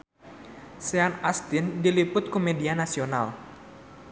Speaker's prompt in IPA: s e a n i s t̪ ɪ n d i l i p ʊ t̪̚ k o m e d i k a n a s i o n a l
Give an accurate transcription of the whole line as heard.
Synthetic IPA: s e a n a s t̪ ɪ n d i l i p ʊ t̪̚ k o m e d i a n a s i o n a l